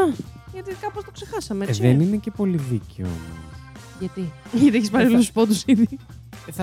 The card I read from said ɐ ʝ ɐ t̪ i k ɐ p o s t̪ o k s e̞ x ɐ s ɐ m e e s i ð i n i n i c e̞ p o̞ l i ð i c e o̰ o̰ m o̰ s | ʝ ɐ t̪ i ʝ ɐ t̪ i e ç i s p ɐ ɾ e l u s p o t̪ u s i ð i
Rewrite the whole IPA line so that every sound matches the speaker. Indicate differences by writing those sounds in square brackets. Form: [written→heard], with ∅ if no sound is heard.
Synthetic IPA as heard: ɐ ʝ ɐ t̪ i k ɐ p o s t̪ o k s e̞ x ɐ s ɐ m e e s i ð [i→e] n i n [i→e] c e̞ p o̞ l i ð i c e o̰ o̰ m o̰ s | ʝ ɐ t̪ i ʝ ɐ t̪ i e ç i s p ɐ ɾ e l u s p o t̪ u s i ð i